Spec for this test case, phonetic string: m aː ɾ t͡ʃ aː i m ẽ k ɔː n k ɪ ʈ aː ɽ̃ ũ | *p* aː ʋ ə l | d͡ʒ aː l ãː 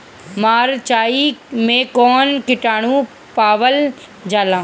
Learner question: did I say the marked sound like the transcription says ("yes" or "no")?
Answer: yes